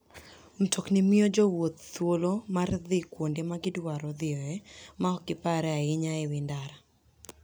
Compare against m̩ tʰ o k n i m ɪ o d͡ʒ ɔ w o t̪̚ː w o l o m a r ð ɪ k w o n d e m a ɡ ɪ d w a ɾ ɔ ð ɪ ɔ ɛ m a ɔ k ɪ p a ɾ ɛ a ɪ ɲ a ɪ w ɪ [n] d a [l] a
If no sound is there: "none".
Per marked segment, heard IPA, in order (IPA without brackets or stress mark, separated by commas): n, ɾ